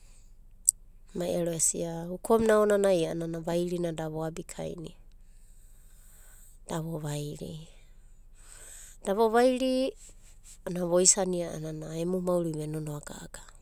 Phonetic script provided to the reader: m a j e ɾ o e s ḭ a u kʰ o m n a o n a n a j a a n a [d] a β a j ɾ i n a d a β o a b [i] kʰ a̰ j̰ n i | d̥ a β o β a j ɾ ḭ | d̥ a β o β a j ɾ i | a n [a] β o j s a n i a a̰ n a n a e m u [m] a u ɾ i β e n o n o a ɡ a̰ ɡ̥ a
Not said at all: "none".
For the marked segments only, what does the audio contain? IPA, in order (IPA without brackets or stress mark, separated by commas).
n, i, a, m